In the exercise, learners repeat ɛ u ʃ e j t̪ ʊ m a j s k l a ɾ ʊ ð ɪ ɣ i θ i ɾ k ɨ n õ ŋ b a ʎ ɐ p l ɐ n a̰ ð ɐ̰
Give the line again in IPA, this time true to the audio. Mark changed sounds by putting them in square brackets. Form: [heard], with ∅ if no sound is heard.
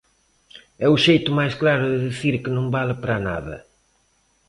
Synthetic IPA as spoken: ɛ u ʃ e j t̪ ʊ m a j s k l a ɾ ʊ ð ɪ [ð] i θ i ɾ k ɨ n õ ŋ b a [l] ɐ p [ɾ] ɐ n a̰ ð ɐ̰